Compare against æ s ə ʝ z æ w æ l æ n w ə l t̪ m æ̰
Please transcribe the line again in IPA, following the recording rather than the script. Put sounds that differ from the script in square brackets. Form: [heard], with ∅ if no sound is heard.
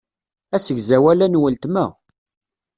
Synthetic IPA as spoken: æ s ə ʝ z æ w æ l æ n w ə l t̪ m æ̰